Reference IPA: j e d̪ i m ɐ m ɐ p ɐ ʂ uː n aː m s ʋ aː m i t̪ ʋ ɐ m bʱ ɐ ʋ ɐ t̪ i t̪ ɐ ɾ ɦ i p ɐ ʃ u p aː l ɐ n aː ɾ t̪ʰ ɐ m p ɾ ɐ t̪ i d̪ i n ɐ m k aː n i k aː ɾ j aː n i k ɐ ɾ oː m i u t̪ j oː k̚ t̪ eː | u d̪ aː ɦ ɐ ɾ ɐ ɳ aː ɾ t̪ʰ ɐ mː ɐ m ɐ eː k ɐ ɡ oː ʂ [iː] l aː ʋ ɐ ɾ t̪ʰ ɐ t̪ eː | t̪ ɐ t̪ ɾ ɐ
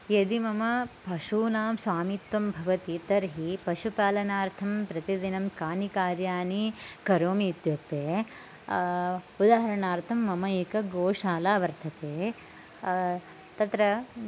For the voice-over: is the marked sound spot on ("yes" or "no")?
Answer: no